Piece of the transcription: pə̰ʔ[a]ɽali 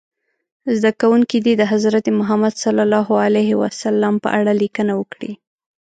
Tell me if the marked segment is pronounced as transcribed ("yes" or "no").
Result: yes